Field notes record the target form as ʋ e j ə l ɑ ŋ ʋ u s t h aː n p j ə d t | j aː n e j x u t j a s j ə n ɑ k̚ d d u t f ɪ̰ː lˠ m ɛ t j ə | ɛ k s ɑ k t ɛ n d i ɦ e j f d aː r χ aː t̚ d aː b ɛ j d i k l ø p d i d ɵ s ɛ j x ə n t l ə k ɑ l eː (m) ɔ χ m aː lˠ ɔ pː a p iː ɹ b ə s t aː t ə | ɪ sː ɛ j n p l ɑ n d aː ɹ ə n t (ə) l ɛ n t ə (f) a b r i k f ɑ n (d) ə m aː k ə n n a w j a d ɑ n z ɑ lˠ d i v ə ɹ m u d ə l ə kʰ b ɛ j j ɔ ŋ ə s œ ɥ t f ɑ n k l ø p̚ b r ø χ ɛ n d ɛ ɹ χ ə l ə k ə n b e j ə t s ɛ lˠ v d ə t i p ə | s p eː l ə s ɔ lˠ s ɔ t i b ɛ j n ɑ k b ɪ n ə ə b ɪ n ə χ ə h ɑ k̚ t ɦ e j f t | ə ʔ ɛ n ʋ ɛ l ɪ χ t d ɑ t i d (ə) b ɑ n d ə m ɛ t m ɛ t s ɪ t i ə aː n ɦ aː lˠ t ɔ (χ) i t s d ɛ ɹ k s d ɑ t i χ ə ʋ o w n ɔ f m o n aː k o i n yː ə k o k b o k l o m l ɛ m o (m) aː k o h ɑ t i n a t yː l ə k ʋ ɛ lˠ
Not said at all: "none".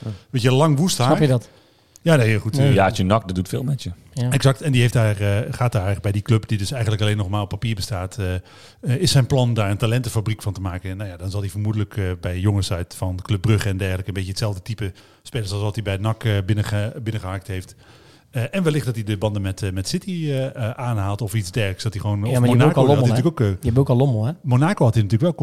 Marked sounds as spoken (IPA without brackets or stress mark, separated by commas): n, a, f, t, ə, f, n